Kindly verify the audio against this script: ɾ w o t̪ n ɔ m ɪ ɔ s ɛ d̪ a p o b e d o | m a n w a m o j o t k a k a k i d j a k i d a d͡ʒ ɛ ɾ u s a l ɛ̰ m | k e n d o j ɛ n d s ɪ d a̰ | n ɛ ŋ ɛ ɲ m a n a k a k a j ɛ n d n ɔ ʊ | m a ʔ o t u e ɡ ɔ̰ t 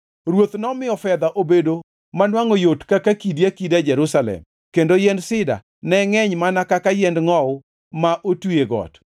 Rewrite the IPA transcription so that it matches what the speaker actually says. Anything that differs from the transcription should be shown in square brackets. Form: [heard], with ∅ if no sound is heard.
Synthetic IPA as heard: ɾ w o t̪ n ɔ m ɪ ɔ [f] ɛ d̪ a [ʔ] o b e d o | m a n w a [ŋ] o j o t k a k a k i d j a k i d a d͡ʒ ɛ ɾ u s a l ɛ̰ m | k e n d o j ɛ n d s ɪ d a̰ | n ɛ ŋ ɛ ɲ m a n a k a k a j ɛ n d [ŋ] ɔ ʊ | m a ʔ o t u e ɡ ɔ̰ t